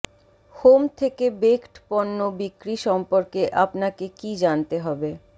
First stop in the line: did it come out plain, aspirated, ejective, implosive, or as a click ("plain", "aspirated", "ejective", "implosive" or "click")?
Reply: aspirated